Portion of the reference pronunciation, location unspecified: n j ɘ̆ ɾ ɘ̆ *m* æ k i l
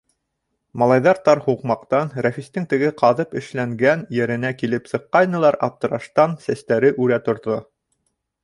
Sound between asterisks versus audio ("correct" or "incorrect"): incorrect